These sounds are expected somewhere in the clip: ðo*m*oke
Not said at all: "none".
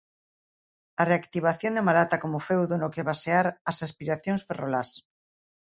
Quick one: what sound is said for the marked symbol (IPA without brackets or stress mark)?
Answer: n